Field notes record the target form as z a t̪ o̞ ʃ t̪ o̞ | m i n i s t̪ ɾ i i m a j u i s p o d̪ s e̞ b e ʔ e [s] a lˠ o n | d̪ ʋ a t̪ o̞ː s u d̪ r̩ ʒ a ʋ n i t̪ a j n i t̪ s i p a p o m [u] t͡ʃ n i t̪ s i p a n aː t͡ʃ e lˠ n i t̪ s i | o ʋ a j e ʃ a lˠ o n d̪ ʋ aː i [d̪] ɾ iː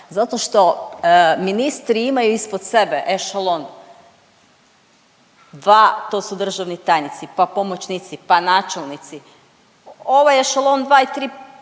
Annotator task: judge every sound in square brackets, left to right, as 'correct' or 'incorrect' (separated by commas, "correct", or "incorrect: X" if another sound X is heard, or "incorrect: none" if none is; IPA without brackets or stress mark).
incorrect: ʃ, incorrect: o, incorrect: t̪